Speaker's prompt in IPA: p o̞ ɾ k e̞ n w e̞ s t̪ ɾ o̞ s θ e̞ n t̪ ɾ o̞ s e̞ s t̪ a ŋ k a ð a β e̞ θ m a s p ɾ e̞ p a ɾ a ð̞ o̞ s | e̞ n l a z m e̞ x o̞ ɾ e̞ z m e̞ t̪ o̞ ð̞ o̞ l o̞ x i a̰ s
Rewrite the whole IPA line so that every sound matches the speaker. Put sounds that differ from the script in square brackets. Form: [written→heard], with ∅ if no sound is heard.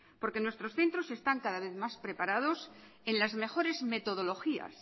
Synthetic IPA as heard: p o̞ ɾ k e̞ n w e̞ s t̪ ɾ o̞ s θ e̞ n t̪ ɾ o̞ s e̞ s t̪ a ŋ k a ð a β e̞ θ m a s p ɾ e̞ p a ɾ a ð̞ o̞ s | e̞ n l a z m e̞ x o̞ ɾ e̞ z m e̞ t̪ o̞ ð̞ o̞ l o̞ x i a̰ s